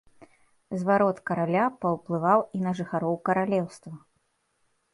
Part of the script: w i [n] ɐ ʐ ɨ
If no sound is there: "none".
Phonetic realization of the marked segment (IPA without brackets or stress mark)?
n